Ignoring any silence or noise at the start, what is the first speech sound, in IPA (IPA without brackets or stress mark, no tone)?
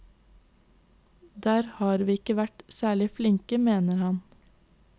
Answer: d̪